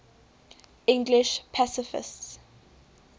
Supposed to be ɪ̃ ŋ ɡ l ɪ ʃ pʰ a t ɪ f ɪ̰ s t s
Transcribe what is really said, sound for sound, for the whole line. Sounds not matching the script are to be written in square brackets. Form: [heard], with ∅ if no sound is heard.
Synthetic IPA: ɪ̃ ŋ ɡ l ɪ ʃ pʰ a [s] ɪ f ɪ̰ s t s